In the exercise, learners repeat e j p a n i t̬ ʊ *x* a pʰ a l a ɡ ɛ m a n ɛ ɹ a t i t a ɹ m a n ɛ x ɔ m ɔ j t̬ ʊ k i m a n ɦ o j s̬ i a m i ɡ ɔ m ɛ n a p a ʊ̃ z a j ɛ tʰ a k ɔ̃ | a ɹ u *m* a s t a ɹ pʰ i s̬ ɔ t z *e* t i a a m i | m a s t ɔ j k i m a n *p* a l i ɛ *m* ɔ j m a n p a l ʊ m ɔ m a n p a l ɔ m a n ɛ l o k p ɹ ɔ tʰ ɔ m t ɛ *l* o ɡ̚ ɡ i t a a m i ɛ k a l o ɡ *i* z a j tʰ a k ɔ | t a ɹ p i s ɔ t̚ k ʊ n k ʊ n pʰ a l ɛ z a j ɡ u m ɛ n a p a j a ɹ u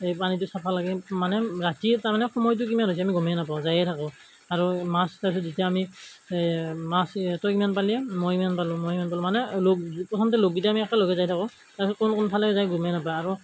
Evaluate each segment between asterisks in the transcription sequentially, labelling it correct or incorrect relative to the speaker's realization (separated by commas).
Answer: incorrect, correct, incorrect, correct, correct, correct, incorrect